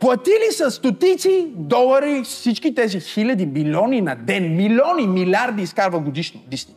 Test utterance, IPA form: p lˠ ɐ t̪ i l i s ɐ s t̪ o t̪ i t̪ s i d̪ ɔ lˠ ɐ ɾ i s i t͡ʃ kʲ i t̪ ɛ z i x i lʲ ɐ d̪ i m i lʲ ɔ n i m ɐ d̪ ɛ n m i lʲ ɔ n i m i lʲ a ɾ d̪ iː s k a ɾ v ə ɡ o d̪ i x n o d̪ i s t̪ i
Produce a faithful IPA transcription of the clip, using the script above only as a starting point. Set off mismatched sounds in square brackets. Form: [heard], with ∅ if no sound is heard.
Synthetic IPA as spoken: p lˠ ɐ t̪ i l i s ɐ s t̪ o t̪ i t̪ s i d̪ ɔ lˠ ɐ ɾ i s i t͡ʃ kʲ i t̪ ɛ z i x i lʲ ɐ d̪ i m i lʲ ɔ n i [n] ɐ d̪ ɛ n m i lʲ ɔ n i m i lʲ a ɾ d̪ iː s k a ɾ v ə ɡ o d̪ i [ʃ] n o d̪ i s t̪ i